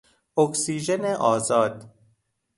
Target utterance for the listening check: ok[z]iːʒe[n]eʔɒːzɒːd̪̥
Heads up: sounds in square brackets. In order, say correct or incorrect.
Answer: incorrect: s, correct

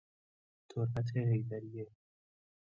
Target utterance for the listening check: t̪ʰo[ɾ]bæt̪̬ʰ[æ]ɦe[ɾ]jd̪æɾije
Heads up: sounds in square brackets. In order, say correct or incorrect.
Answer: correct, incorrect: e, incorrect: none

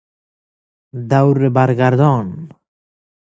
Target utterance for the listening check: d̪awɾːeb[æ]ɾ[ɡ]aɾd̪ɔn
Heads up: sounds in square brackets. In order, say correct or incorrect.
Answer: incorrect: a, correct

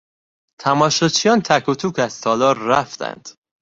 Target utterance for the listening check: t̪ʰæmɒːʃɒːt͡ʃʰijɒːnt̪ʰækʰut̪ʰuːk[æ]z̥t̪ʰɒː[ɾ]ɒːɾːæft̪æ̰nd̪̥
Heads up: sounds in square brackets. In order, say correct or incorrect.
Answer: correct, incorrect: l

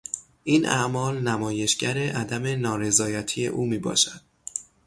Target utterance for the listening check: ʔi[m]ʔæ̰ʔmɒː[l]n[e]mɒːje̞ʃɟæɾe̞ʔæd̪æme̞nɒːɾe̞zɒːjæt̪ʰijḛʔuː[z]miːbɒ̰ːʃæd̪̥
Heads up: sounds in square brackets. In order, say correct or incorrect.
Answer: incorrect: n, correct, incorrect: æ, incorrect: none

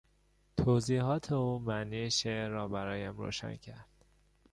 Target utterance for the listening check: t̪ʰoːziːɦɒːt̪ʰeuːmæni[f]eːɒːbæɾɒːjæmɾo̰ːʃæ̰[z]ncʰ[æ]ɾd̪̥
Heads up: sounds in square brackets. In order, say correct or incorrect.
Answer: incorrect: ʃ, incorrect: none, correct

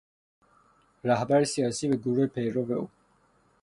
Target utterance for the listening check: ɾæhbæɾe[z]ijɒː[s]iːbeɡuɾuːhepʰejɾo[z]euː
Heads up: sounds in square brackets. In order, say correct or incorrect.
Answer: incorrect: s, correct, incorrect: v

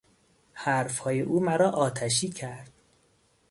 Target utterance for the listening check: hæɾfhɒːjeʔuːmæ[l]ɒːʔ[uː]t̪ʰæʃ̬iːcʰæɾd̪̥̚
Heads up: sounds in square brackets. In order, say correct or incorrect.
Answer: incorrect: ɾ, incorrect: ɒː

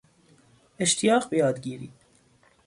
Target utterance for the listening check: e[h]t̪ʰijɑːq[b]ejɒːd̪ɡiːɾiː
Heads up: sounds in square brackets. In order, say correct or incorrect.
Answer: incorrect: ʃ, correct

